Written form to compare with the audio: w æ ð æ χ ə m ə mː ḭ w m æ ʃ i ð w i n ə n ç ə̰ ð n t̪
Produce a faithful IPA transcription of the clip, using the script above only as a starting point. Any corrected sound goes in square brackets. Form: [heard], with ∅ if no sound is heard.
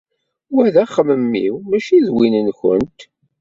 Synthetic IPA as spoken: w æ ð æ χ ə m ə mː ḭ w m æ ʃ i ð w i n ə n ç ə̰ [∅] n t̪